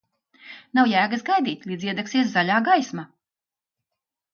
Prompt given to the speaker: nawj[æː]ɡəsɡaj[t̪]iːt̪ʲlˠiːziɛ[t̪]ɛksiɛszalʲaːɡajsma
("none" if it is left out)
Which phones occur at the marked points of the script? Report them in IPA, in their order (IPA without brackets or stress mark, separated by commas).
æː, d̪, d̪